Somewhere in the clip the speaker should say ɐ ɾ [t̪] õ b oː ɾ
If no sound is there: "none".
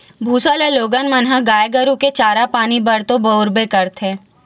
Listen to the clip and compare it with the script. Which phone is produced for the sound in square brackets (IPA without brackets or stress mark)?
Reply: t̪